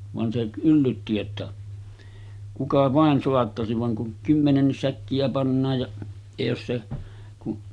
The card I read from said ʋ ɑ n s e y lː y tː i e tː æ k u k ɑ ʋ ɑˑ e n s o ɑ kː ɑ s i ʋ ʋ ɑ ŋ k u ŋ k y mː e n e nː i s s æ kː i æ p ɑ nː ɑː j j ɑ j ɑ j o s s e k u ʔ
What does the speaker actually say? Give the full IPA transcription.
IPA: ʋ ɑ n s e y lː y tː i e tː æ k u k ɑ ʋ ɑˑ e n s o ɑ tː ɑ s i ʋ ʋ ɑ ŋ k u ŋ k y mː e n e nː i s s æ kː i æ p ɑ nː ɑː j j ɑ j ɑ j o s s e k u ʔ